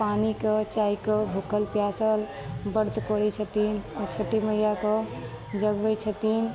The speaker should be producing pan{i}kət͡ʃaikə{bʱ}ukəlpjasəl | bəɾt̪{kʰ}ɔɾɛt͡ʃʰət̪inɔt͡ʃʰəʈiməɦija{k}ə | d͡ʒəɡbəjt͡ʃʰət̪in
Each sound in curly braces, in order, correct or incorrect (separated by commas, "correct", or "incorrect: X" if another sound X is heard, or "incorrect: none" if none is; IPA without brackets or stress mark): correct, correct, incorrect: k, correct